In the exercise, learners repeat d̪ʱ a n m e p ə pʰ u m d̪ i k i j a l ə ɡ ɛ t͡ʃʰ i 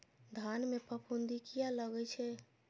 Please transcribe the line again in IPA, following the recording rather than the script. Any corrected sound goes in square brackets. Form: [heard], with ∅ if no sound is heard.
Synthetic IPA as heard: d̪ʱ a n m e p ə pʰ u [n] d̪ i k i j a l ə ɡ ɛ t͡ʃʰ [ɛ]